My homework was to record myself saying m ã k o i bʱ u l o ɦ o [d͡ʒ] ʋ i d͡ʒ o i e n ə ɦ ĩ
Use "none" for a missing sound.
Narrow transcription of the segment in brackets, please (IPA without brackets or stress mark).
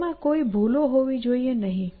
none